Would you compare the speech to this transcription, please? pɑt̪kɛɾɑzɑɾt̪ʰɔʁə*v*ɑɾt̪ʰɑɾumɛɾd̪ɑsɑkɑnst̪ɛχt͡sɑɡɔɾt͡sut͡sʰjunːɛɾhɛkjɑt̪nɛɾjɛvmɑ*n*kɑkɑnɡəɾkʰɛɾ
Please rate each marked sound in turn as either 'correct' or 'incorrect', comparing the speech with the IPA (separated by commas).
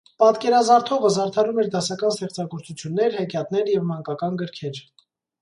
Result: incorrect, incorrect